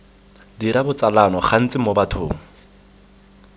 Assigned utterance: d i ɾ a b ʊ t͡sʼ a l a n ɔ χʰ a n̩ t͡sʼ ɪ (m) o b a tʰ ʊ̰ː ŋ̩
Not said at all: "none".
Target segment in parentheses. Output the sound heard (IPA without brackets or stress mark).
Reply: m